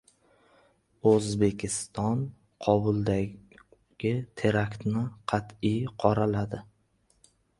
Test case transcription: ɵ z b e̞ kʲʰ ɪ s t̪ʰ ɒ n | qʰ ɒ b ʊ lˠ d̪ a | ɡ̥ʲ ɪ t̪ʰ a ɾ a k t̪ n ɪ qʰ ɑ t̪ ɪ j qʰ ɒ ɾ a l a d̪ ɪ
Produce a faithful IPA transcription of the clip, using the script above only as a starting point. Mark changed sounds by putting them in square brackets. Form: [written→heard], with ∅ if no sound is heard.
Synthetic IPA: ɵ z b e̞ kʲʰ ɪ s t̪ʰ ɒ n | qʰ ɒ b ʊ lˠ d̪ a | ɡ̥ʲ ɪ t̪ʰ [a→e] ɾ a k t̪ n ɪ qʰ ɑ t̪ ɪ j qʰ ɒ ɾ a l a d̪ ɪ